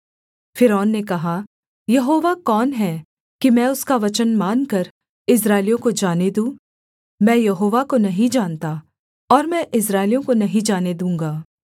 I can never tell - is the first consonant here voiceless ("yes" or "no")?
yes